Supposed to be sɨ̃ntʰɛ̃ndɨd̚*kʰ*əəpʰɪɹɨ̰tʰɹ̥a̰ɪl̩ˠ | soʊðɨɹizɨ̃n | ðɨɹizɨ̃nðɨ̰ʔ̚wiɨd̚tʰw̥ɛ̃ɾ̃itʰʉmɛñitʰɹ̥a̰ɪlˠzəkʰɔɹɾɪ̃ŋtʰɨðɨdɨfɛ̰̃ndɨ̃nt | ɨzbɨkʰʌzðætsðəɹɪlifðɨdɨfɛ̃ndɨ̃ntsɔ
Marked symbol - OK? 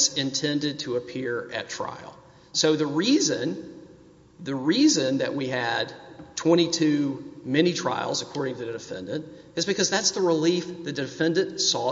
no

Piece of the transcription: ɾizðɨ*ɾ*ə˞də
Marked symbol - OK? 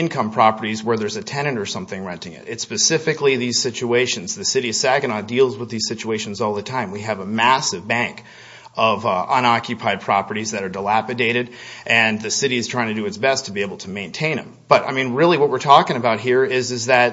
yes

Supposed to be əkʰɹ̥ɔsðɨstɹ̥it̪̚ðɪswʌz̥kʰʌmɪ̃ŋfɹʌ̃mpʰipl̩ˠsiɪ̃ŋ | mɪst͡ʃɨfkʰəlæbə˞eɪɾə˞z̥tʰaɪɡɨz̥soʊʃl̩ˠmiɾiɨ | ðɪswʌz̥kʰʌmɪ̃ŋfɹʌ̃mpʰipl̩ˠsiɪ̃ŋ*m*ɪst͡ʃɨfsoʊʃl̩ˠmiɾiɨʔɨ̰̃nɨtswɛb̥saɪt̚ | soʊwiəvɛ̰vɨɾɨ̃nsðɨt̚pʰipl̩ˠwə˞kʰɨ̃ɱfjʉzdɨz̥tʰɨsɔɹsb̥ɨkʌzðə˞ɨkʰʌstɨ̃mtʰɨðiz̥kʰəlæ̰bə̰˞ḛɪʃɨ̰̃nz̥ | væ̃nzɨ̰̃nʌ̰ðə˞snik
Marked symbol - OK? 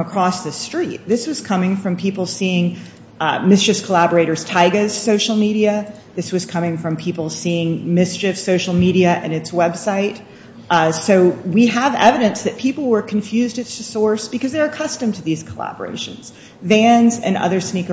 yes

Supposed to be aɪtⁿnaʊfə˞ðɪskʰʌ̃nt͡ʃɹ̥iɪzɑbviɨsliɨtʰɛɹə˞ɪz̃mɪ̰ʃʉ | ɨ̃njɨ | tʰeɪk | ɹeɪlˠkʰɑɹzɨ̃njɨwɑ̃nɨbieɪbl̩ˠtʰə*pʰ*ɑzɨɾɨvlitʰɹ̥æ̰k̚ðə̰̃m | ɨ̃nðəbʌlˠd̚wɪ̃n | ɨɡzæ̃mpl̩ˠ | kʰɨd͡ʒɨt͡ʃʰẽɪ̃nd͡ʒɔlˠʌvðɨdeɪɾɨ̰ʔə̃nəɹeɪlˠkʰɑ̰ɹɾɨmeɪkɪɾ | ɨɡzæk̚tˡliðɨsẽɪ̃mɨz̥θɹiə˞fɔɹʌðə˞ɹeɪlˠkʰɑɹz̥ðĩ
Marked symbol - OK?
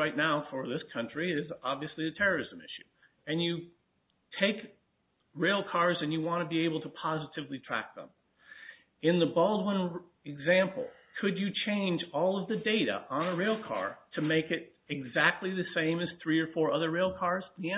yes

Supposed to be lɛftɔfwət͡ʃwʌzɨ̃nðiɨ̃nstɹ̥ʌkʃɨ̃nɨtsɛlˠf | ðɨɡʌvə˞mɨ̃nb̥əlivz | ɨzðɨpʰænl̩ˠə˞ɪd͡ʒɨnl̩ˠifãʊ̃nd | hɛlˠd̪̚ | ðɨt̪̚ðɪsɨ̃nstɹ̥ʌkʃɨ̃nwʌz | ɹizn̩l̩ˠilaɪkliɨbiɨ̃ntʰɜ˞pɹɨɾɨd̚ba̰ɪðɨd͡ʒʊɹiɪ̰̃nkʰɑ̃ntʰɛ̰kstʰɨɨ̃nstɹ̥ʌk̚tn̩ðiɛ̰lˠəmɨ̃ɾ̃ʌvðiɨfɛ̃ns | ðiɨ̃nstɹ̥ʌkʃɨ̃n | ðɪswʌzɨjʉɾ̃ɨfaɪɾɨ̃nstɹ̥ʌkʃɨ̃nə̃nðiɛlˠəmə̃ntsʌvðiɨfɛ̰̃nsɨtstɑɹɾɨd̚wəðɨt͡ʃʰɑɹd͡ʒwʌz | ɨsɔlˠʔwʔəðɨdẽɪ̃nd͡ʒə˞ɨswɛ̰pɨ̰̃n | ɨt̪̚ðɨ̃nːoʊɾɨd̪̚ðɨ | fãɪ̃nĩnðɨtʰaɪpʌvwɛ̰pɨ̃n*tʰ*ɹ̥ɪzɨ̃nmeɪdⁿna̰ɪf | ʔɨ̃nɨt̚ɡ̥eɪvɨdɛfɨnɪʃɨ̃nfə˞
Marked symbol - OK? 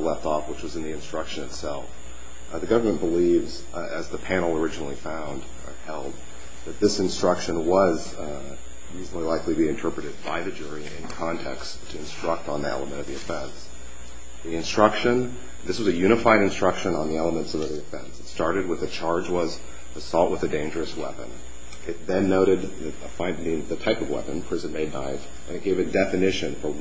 no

